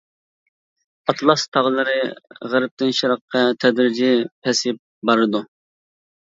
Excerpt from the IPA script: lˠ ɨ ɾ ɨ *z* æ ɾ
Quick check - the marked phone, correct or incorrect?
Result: incorrect